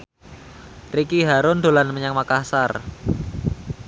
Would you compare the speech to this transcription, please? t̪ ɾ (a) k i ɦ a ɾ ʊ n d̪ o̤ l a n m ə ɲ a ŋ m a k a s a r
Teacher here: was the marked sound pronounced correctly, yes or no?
no